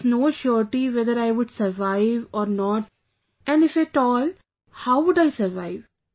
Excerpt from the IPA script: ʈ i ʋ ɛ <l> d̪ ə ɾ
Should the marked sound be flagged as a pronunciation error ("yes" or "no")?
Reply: yes